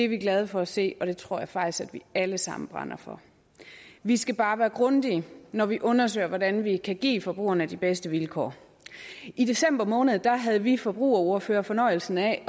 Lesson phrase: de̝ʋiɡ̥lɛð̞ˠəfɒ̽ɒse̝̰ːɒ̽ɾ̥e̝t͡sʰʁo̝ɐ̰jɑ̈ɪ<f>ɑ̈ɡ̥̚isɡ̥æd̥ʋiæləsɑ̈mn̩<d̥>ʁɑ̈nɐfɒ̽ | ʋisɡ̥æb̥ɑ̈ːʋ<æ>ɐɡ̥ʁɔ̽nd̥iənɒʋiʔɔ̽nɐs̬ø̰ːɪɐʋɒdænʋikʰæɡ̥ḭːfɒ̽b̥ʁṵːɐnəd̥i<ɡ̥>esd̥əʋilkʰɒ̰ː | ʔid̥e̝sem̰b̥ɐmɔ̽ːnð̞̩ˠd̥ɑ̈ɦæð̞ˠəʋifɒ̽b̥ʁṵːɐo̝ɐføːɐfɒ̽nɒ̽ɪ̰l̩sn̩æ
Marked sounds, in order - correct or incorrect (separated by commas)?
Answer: correct, incorrect, incorrect, incorrect